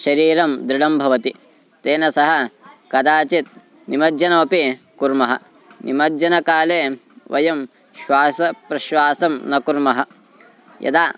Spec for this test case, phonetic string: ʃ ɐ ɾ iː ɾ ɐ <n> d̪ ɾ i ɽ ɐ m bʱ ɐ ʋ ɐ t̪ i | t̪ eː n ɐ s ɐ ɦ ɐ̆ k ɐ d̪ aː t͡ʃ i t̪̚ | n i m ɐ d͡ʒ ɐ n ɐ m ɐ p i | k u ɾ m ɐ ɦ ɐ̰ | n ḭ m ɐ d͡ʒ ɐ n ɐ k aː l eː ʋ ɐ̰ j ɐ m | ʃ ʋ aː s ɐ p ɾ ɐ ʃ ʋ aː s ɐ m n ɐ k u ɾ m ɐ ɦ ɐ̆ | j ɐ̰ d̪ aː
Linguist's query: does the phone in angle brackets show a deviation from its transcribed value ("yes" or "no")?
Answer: yes